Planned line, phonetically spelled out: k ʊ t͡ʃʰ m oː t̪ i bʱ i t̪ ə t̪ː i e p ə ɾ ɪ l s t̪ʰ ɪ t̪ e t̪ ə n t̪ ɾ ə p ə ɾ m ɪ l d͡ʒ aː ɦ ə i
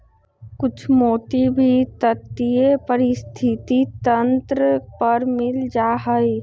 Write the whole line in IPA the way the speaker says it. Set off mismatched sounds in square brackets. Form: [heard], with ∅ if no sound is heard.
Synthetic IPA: k ʊ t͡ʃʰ m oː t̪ i bʱ i t̪ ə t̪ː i e p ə ɾ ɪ [∅] s t̪ʰ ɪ t̪ [i] t̪ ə n t̪ ɾ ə p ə ɾ m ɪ l d͡ʒ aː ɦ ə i